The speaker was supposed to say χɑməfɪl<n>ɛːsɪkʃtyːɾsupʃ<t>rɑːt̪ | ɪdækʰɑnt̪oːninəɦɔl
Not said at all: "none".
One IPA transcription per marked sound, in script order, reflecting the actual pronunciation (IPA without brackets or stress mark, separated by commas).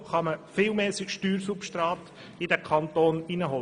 m, t